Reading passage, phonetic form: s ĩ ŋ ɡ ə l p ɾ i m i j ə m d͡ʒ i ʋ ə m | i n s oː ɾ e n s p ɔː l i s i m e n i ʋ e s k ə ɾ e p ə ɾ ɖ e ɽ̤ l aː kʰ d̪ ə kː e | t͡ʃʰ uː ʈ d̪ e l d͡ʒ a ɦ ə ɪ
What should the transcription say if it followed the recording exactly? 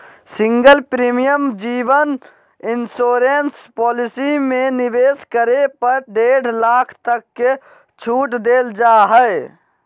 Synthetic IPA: s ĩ ŋ ɡ ə l p ɾ i m i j ə m d͡ʒ i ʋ ə n | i n s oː ɾ e n s p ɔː l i s i m e n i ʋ e s k ə ɾ e p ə ɾ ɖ e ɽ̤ l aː kʰ t̪ ə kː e | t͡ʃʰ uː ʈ d̪ e l d͡ʒ a ɦ ə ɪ